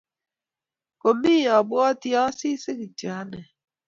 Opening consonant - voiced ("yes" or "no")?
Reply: no